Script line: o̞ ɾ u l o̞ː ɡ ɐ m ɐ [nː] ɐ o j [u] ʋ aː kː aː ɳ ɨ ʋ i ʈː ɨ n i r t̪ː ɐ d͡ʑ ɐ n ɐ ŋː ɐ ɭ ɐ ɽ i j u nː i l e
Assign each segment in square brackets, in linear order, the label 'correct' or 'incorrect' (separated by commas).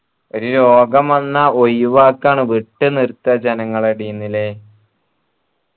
correct, correct